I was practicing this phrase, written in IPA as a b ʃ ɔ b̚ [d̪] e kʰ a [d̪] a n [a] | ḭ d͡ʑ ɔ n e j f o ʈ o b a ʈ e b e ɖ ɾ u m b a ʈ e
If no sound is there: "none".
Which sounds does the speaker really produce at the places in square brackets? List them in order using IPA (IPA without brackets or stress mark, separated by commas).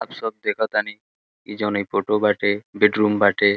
d̪, t̪, i